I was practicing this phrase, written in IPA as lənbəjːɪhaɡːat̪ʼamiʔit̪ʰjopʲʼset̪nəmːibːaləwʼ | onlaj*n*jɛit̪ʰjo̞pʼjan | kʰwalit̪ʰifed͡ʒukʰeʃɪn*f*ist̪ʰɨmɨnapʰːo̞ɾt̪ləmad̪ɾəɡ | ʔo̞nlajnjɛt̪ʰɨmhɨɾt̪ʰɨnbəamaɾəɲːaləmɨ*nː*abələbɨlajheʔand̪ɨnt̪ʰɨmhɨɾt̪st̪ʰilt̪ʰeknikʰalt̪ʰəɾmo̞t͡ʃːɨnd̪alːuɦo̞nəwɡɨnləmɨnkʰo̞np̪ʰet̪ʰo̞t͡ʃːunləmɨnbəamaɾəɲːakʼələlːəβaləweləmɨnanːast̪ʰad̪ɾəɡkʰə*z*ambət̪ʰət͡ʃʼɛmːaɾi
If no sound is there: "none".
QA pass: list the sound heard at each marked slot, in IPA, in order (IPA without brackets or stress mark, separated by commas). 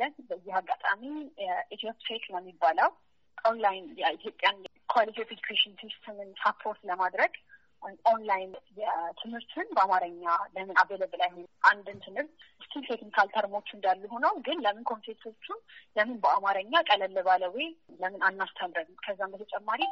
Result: n, s, n, zː